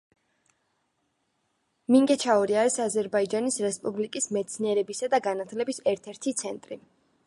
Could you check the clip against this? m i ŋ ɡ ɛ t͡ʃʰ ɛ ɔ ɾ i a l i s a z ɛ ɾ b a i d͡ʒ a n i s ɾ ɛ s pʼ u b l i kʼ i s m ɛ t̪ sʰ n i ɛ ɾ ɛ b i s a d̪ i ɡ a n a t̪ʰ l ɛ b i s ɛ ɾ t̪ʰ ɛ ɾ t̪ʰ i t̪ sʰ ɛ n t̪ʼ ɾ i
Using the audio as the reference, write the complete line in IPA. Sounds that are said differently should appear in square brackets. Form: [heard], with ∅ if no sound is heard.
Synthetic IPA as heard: m i ŋ ɡ ɛ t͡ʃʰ [a] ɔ ɾ i a [ɾ] i s a z ɛ ɾ b a i d͡ʒ a n i s ɾ ɛ s pʼ u b l i kʼ i s m ɛ t̪ sʰ n i ɛ ɾ ɛ b i s a d̪ [a] ɡ a n a t̪ʰ l ɛ b i s ɛ ɾ t̪ʰ ɛ ɾ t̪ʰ i t̪ sʰ ɛ n t̪ʼ ɾ i